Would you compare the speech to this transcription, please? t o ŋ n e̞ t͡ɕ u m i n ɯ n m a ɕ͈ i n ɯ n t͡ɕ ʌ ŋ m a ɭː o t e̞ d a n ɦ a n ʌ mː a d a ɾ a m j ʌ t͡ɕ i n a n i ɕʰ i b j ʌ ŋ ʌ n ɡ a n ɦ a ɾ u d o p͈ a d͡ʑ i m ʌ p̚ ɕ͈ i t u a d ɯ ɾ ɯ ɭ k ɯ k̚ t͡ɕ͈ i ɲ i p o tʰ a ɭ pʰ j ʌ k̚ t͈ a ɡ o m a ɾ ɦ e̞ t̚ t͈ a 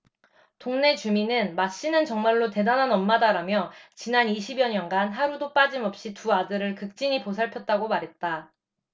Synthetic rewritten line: t o ŋ n e̞ t͡ɕ u m i n ɯ n m a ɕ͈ i n ɯ n t͡ɕ ʌ ŋ m a ɭː o t e̞ d a n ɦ a n ʌ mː a d a ɾ a m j ʌ t͡ɕ i n a n i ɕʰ i b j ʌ ɲ ʌ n ɡ a n ɦ a ɾ u d o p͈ a d͡ʑ i m ʌ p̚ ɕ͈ i t u a d ɯ ɾ ɯ ɭ k ɯ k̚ t͡ɕ͈ i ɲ i p o sʰ a ɭ pʰ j ʌ t̚ t͈ a ɡ o m a ɾ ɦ e̞ t̚ t͈ a